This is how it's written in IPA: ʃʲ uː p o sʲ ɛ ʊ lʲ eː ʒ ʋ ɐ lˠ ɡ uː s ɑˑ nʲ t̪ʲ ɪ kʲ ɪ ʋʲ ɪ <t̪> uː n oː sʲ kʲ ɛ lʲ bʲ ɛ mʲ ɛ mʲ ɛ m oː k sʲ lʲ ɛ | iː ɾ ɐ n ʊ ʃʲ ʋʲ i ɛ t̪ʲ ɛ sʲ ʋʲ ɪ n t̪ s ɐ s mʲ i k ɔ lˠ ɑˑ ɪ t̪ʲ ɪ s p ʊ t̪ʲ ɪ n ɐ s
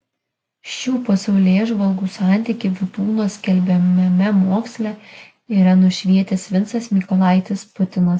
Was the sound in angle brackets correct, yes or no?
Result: yes